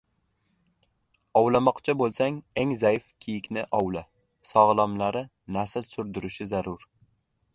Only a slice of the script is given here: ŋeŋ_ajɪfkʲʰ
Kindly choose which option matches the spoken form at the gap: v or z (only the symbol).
z